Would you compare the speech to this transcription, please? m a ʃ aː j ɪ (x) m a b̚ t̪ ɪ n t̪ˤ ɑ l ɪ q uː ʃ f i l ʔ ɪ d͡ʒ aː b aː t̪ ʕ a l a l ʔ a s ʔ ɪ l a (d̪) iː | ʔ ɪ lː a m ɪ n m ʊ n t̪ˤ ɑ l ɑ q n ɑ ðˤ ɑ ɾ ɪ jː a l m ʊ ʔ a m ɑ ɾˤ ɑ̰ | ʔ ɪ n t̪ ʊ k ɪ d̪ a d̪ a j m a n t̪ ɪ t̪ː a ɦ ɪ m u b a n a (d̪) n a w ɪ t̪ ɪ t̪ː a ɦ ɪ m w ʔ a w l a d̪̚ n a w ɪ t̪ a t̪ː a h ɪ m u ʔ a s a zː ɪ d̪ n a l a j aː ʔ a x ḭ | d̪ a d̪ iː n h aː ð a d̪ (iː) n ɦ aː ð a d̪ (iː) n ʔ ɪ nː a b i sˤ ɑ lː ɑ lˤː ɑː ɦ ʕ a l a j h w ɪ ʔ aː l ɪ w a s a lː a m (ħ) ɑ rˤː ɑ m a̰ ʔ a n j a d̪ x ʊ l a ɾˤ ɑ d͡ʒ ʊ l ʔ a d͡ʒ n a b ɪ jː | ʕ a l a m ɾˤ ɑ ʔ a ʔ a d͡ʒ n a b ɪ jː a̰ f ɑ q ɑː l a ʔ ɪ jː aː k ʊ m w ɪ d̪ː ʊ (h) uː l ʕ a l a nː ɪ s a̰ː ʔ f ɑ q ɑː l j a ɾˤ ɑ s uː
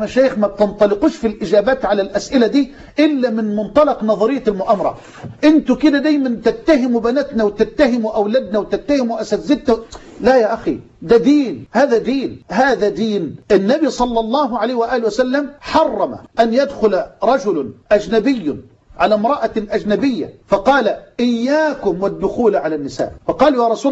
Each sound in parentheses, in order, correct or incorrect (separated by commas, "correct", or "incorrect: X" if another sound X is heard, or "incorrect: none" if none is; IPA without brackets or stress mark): correct, correct, incorrect: t̪, correct, correct, correct, incorrect: x